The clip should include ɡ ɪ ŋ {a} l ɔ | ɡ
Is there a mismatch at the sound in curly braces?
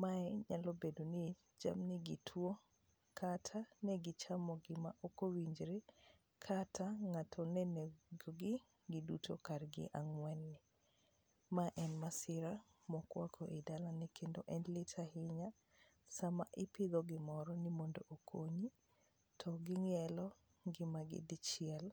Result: yes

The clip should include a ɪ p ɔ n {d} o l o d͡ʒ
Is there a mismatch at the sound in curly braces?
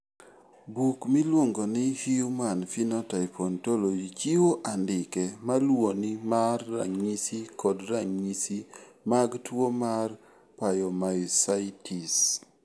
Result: yes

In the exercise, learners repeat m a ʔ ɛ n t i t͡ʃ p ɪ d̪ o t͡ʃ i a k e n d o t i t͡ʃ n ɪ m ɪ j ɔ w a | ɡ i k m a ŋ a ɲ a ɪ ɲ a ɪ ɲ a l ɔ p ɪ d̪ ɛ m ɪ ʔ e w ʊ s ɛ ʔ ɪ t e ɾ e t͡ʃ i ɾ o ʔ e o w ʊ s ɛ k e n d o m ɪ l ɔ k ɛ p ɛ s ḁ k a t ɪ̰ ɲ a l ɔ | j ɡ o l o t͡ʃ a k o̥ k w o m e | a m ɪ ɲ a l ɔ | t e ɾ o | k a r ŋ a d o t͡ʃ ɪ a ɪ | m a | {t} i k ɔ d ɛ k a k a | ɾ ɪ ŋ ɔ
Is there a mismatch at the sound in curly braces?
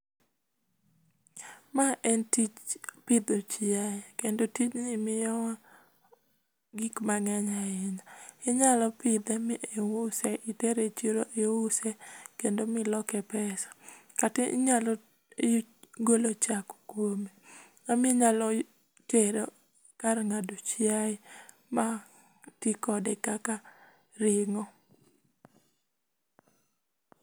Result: no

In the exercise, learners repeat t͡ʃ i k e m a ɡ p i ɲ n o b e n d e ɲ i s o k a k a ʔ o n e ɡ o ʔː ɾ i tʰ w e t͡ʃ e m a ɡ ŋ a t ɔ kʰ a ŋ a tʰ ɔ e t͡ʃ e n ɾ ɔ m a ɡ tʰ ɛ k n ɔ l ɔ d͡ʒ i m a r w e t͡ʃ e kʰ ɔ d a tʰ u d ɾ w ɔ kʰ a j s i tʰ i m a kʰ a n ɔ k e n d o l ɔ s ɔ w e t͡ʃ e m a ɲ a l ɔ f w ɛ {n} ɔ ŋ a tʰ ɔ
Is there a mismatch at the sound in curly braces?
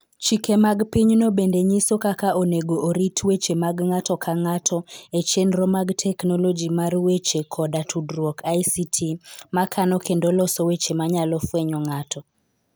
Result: yes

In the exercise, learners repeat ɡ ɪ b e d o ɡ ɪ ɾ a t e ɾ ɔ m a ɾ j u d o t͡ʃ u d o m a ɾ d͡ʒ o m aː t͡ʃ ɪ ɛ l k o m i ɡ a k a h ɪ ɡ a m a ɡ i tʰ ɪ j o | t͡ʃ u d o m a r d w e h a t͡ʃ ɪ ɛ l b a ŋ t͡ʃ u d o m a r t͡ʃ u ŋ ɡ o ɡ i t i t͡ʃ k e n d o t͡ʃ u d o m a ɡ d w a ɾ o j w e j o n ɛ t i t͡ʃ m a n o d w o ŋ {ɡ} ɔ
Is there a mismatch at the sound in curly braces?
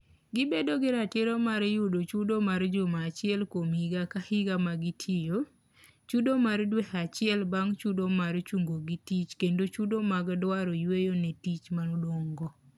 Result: no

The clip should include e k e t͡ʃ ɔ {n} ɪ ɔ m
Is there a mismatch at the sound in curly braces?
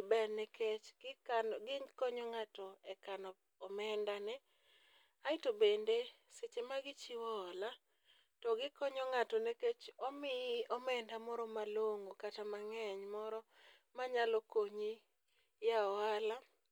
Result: yes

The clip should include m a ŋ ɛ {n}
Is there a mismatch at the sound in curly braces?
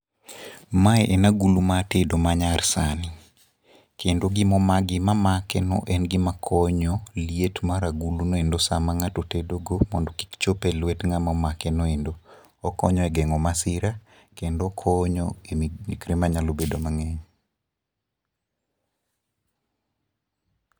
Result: yes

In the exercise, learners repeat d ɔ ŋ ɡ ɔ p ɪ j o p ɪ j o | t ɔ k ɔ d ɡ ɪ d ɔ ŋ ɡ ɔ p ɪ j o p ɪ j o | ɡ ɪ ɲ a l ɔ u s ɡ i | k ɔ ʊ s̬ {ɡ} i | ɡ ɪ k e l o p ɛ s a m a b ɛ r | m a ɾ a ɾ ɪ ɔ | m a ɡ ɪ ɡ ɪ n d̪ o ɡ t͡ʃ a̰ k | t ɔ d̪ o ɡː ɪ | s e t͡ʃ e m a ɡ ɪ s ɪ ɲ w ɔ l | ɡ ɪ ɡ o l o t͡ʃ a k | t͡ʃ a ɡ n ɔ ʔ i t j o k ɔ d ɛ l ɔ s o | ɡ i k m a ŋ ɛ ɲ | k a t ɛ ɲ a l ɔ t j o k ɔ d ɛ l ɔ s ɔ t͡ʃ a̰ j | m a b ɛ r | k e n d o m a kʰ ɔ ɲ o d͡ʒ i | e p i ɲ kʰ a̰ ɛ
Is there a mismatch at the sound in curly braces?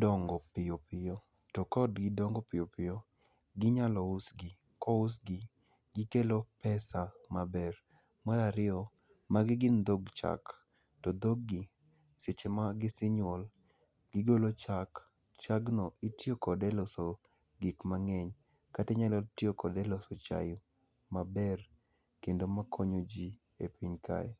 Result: no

